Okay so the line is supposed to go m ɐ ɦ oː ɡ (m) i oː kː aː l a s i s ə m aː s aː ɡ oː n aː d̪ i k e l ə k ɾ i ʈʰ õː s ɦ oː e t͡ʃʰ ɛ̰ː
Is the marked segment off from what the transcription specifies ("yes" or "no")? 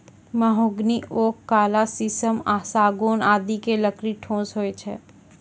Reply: yes